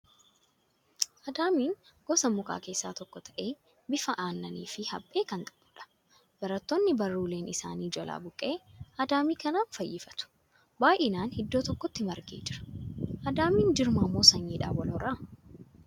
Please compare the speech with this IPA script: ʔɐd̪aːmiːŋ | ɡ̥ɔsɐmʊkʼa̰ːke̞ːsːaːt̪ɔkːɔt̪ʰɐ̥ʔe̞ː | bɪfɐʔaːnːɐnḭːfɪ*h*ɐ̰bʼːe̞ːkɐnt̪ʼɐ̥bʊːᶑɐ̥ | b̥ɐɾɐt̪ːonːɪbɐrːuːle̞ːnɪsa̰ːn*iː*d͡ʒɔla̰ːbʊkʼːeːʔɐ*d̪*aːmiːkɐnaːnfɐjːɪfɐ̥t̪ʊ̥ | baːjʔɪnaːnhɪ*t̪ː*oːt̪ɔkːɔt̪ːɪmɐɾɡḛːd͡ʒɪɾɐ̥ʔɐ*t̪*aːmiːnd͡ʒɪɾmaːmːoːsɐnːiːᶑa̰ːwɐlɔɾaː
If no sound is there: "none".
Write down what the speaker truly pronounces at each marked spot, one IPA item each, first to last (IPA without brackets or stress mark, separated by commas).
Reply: h, iː, d̪, d̪ː, d̪